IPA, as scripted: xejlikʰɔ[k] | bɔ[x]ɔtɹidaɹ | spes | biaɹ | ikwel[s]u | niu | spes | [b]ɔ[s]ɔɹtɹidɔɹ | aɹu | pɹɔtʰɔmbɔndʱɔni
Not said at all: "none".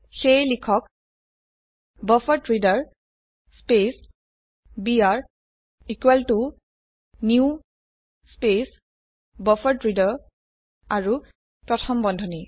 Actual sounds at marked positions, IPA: k, f, t, b, f

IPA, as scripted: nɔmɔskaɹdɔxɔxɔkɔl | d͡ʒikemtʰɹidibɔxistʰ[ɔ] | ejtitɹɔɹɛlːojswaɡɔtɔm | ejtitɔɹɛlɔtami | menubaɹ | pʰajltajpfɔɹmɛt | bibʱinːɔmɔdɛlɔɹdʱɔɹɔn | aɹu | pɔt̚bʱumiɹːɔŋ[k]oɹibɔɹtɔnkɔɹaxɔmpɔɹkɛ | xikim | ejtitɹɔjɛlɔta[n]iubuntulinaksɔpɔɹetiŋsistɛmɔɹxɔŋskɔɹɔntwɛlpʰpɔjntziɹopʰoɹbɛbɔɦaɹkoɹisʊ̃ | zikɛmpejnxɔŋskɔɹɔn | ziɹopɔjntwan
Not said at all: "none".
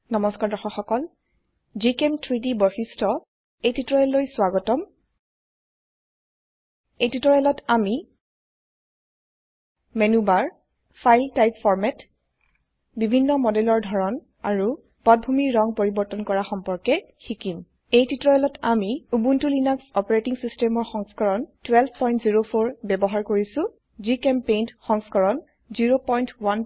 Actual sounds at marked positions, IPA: ɔ, p, m

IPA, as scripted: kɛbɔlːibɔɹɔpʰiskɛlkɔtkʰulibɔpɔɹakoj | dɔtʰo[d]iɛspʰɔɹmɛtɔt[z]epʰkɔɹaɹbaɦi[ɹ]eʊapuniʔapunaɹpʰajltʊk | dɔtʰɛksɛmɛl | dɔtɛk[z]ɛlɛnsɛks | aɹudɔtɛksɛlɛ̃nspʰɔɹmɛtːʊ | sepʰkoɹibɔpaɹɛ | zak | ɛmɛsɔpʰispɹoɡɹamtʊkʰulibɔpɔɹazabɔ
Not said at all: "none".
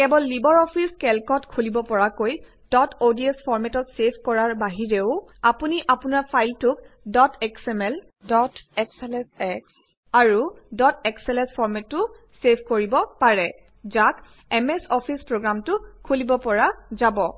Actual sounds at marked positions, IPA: d, s, ɹ, s

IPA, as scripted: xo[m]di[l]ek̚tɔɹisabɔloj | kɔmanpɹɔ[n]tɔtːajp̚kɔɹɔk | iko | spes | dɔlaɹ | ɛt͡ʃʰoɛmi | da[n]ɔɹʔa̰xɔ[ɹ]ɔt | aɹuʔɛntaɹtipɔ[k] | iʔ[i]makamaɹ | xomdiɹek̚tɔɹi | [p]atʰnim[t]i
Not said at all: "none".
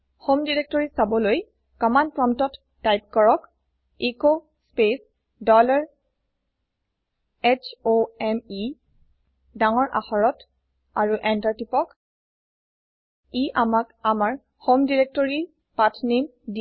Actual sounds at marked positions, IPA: m, ɹ, m, ŋ, ɹ, k, a, p, d

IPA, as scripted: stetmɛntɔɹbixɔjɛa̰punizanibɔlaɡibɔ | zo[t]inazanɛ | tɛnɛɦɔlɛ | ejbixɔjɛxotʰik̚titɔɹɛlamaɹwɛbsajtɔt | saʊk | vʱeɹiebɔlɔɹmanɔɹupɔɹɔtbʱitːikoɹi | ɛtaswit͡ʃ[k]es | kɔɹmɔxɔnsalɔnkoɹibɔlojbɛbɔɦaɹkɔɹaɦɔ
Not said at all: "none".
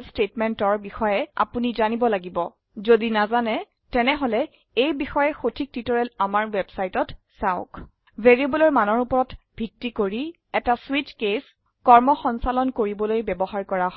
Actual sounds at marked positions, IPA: d, k

